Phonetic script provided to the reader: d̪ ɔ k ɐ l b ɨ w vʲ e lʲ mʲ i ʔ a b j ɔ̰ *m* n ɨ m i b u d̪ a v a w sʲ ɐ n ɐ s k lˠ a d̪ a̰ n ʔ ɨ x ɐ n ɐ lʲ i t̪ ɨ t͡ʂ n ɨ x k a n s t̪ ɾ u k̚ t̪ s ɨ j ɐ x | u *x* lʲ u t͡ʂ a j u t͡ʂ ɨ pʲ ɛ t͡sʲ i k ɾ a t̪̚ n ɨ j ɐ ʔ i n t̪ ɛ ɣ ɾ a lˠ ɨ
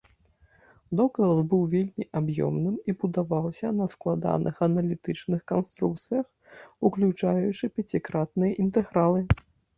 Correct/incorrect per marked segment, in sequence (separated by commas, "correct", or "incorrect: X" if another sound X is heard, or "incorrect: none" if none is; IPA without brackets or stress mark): correct, incorrect: k